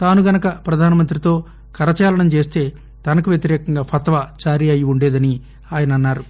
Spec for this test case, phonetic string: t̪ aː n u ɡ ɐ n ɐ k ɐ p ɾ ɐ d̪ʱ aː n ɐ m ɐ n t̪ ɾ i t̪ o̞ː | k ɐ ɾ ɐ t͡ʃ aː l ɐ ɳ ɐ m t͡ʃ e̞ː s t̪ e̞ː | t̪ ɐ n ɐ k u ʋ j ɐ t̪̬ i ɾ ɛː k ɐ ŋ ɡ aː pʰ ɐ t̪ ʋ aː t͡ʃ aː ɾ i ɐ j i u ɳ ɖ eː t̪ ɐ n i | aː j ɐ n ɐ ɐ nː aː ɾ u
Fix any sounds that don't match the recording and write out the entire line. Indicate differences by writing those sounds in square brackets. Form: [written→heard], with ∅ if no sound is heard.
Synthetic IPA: t̪ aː n u ɡ ɐ n ɐ k ɐ p ɾ ɐ d̪ʱ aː n ɐ m ɐ n t̪ ɾ i t̪ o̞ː | k ɐ ɾ ɐ t͡ʃ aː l ɐ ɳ ɐ m t͡ʃ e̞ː s t̪ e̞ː | t̪ ɐ n ɐ k u ʋ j ɐ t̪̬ i ɾ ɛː k ɐ ŋ ɡ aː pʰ ɐ t̪ ʋ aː t͡ʃ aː ɾ i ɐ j i u ɳ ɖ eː [t̪→d̪] ɐ n i | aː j ɐ n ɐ ɐ nː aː ɾ u

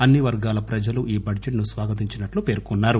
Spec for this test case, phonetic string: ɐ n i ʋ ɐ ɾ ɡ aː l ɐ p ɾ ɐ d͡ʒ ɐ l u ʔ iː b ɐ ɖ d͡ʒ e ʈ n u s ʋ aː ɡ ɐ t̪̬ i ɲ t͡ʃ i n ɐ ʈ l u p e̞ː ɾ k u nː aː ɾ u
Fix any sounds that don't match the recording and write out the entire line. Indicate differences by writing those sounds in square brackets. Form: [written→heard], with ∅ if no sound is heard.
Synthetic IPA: ɐ [n→nː] i ʋ ɐ ɾ ɡ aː l ɐ p ɾ ɐ d͡ʒ ɐ l u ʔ iː b ɐ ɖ d͡ʒ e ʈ n u s ʋ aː ɡ ɐ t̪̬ i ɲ t͡ʃ i n ɐ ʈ l u p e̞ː ɾ k u nː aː ɾ u

